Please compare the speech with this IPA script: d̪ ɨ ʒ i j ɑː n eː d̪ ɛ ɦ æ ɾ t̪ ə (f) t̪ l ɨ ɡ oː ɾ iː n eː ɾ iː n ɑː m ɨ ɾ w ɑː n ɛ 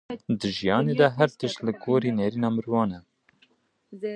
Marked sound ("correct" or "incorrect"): incorrect